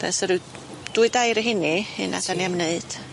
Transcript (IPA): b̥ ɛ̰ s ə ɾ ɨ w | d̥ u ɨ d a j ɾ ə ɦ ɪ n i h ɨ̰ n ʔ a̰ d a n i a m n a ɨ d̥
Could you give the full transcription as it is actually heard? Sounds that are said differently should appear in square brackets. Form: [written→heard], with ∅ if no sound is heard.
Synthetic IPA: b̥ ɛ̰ s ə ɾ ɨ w | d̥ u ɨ d a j ɾ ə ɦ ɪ n i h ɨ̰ n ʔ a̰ d a n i a m n [a→e] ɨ d̥

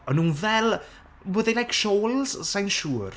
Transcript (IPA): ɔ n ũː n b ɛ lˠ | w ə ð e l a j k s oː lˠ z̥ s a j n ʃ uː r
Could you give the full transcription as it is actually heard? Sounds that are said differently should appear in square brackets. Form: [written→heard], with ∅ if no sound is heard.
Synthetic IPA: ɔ n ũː n [b→v] ɛ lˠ | w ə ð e l a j k [s→ʃ] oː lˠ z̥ s a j n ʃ uː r

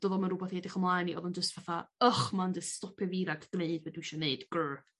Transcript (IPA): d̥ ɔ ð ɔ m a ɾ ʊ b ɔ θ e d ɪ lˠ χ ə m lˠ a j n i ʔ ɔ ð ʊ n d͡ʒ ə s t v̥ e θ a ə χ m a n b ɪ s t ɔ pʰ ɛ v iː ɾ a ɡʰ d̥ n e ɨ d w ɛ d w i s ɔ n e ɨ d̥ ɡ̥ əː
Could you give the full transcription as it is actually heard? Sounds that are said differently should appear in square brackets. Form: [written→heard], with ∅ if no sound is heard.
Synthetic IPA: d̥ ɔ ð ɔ m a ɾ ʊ b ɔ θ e d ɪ [lˠ→∅] χ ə m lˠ a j n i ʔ ɔ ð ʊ n d͡ʒ ə s t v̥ [e→a] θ a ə χ m a n [b→d] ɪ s t ɔ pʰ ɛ v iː ɾ a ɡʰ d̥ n e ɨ d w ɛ d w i [s→ʃ] ɔ n e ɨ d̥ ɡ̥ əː

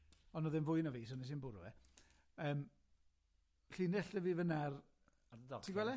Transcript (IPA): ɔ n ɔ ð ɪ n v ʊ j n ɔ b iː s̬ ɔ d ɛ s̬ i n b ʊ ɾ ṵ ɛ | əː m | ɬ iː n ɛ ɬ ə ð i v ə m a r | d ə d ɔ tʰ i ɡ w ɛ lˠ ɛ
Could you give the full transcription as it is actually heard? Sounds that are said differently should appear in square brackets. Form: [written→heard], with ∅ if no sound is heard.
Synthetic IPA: ɔ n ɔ ð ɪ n v ʊ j n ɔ [b→v] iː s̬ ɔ [d→n] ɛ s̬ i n b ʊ ɾ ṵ ɛ | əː m | ɬ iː n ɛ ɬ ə [ð→v] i v ə [m→n] a r | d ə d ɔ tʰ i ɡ w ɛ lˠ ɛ

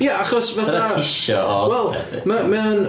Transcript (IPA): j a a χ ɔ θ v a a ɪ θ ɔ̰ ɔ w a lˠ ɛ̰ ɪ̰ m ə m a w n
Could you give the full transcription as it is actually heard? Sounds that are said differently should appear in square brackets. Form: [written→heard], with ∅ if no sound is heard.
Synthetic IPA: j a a χ ɔ [θ→s] v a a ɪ [θ→ʃ] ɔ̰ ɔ w [a→ɛ] lˠ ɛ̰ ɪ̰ m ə m [a→ɛ] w n

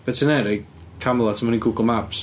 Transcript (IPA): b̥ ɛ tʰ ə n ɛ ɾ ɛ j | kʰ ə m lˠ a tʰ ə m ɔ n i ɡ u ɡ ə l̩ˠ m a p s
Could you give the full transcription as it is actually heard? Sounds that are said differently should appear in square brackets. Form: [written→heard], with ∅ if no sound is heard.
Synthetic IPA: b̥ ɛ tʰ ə n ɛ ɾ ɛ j | kʰ [ə→a] m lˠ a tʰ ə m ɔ n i ɡ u ɡ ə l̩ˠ m a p s

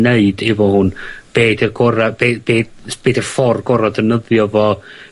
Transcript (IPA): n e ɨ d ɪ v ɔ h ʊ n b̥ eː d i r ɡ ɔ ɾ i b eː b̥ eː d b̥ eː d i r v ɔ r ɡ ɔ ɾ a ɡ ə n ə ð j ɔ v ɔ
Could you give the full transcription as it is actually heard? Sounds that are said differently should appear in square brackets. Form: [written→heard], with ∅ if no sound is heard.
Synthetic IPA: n e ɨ d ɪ v ɔ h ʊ n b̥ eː d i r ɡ ɔ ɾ [i→a] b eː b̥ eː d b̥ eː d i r [v→f] ɔ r ɡ ɔ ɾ a [ɡ→d] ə n ə ð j ɔ v ɔ

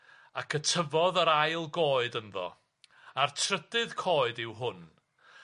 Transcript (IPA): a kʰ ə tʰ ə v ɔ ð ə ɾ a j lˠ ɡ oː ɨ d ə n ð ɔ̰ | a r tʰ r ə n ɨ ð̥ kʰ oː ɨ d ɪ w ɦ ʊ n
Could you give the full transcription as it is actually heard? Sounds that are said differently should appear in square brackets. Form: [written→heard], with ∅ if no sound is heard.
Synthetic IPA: a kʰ ə tʰ ə v ɔ ð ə ɾ a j lˠ ɡ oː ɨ d ə n ð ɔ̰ | a r tʰ r ə [n→d] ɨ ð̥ kʰ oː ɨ d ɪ w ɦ ʊ n

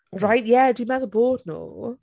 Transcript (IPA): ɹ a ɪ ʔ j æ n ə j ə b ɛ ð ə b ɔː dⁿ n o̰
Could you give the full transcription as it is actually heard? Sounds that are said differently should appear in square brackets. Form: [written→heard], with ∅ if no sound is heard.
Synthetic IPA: ɹ a ɪ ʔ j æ [n→d] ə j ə [b→m] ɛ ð ə b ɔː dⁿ n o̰

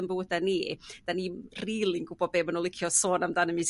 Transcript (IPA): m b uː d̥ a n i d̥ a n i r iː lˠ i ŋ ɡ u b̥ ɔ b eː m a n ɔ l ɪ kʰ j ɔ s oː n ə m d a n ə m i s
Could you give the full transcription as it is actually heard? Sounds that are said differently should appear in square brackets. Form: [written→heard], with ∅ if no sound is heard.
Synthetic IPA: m b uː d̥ a n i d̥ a n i r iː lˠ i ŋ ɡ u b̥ ɔ b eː m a n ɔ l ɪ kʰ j ɔ s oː n [ə→a] m d a n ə m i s

